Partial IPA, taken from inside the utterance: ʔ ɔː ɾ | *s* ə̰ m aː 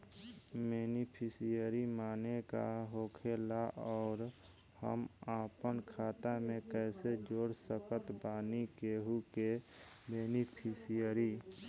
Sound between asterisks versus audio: incorrect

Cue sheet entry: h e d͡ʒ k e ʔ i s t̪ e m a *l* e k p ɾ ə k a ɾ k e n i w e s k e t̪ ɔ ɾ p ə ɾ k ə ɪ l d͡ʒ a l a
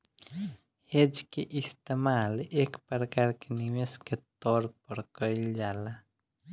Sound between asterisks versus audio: correct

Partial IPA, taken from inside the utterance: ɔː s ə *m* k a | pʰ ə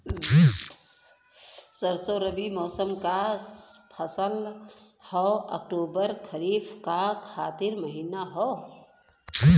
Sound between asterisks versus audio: correct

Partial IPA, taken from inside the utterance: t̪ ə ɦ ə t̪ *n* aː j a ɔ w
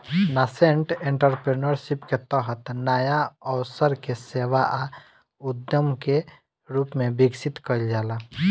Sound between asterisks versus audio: correct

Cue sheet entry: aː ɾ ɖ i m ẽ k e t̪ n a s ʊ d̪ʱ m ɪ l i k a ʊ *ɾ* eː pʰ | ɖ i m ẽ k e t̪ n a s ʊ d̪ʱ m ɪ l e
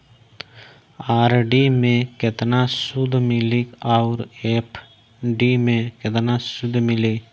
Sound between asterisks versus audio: correct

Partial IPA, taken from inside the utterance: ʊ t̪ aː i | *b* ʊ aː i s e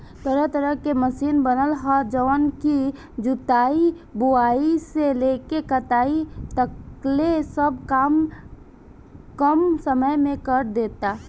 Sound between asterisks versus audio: correct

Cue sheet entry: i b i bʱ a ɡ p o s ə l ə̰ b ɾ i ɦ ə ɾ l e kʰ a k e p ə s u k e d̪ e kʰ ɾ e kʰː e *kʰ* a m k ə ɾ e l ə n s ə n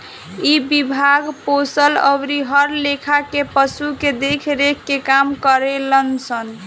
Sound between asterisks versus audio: incorrect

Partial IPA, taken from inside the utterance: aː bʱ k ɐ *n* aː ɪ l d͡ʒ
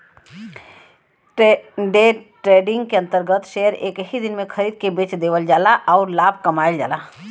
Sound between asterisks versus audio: incorrect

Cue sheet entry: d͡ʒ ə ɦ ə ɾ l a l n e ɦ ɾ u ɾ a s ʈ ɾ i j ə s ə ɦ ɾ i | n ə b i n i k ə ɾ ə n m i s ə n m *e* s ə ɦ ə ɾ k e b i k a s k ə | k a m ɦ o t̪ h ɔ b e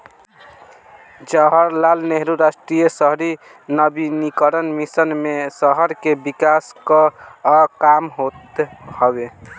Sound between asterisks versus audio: correct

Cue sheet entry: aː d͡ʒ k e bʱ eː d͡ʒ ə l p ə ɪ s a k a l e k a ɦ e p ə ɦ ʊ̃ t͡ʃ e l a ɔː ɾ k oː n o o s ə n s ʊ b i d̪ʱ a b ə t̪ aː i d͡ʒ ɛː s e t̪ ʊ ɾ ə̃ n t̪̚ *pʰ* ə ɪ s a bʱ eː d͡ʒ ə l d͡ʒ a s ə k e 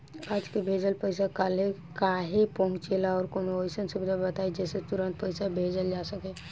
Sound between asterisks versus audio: incorrect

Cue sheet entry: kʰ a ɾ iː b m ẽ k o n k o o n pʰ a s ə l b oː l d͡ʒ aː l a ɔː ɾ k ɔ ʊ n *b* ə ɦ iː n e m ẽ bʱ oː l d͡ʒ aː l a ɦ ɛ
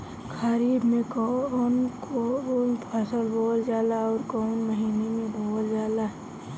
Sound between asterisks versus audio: incorrect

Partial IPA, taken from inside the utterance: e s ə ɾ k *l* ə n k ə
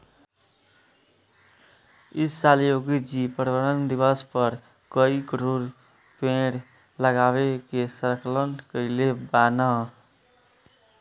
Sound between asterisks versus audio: correct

